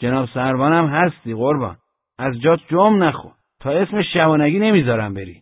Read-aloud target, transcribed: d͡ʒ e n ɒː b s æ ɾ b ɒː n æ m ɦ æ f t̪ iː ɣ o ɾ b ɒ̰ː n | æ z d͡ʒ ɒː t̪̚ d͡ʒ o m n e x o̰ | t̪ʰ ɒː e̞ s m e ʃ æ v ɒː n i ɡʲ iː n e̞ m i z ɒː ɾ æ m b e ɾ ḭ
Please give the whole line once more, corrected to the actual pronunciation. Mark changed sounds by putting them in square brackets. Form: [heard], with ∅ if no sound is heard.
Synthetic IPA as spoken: d͡ʒ e n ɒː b s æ ɾ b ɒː n æ m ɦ æ [s] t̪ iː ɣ o ɾ b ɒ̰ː n | æ z d͡ʒ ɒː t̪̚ d͡ʒ o m n [æ] x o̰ | t̪ʰ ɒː e̞ s m e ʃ æ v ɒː n [æ] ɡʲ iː n e̞ m i z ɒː ɾ æ m b e ɾ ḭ